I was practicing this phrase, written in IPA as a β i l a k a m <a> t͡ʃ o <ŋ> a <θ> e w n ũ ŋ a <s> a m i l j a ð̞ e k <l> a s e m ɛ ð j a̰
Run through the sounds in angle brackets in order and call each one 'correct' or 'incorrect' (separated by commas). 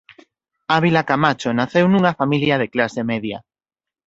correct, incorrect, correct, incorrect, correct